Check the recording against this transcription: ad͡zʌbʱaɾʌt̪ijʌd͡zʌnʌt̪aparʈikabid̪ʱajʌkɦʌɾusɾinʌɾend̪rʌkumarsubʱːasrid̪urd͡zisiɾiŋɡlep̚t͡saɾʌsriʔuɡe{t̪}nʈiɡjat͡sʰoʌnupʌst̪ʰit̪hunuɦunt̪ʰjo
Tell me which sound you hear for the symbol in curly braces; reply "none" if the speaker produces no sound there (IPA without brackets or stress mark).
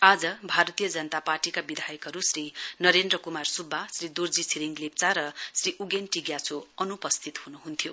none